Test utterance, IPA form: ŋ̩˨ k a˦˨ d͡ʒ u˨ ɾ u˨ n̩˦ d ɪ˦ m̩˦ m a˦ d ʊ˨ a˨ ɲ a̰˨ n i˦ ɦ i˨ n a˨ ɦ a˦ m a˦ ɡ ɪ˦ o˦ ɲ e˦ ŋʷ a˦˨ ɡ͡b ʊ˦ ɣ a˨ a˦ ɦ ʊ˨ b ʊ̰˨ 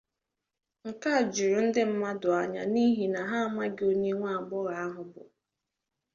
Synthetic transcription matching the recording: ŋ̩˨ k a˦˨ d͡ʒ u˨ ɾ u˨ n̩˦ d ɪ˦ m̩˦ m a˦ d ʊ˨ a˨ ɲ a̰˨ n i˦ ɦ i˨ n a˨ ɦ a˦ m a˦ ɡ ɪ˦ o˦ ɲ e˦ ŋʷ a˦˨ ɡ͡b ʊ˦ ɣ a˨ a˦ ɦ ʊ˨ b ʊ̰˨